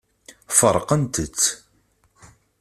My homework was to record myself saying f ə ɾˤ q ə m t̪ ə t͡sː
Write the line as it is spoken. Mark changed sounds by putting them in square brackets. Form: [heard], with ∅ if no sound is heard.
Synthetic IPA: f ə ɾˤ q ə [n] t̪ ə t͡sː